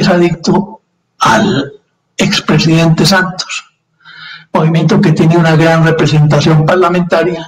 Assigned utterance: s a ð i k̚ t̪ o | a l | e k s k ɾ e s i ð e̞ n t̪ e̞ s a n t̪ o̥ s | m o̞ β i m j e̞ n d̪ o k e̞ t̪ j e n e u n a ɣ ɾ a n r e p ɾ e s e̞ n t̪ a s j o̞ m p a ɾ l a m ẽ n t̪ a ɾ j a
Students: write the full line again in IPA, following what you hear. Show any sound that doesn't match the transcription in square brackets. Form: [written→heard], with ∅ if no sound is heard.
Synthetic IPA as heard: s a ð i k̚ t̪ o | a l | e k s [k→p] ɾ e s i ð e̞ n t̪ e̞ s a n t̪ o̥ s | m o̞ β i m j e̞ n [d̪→t̪] o k e̞ t̪ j e n e u n a ɣ ɾ a n r e p ɾ e s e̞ n t̪ a s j o̞ m p a ɾ l a m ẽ n t̪ a ɾ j a